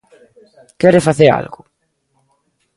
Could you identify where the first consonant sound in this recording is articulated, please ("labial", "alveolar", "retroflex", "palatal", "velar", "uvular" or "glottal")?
velar